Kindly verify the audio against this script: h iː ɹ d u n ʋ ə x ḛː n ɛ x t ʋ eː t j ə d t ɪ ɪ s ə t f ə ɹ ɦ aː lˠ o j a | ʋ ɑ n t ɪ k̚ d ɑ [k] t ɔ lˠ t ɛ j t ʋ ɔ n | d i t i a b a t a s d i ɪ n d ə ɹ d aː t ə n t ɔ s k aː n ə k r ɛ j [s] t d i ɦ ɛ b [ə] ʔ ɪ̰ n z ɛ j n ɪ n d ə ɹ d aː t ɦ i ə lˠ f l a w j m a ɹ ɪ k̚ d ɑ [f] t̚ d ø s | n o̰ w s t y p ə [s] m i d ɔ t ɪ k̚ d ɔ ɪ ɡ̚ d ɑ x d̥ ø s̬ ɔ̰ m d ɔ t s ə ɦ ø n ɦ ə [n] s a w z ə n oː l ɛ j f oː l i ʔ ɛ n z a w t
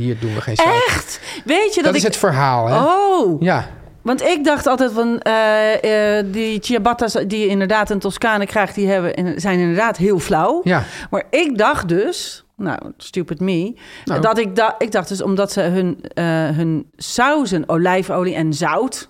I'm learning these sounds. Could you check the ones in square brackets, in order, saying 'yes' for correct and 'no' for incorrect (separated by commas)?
no, no, yes, no, no, yes